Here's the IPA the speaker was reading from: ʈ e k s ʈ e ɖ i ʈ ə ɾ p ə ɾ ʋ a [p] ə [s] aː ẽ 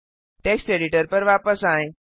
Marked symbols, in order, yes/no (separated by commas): yes, yes